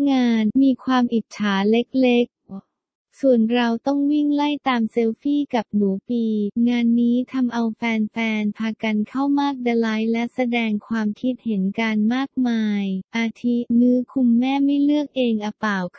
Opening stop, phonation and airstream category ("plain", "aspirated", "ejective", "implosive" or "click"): aspirated